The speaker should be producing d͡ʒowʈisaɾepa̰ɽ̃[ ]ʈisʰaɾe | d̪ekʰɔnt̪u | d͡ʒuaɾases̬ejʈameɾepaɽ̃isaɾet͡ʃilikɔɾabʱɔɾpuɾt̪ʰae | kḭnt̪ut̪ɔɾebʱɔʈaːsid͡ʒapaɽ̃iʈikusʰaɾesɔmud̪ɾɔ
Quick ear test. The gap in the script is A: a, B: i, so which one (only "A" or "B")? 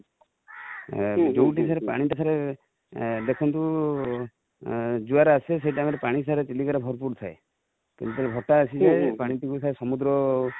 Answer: B